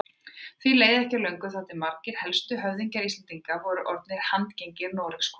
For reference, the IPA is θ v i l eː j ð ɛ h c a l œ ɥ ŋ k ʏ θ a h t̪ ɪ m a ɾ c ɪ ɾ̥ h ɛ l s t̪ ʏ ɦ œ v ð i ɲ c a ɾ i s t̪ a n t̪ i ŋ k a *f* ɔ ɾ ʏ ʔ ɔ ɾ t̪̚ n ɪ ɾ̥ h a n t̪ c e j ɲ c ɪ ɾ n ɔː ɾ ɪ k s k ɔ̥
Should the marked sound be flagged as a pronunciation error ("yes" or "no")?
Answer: yes